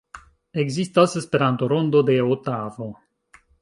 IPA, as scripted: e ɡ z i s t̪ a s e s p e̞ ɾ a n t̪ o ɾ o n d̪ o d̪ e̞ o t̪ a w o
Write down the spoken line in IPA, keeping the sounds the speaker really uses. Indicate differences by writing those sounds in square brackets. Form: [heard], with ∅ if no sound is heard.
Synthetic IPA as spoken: e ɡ z i s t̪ a s e s p e̞ ɾ a n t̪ o ɾ o n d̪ o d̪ e̞ o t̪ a [v] o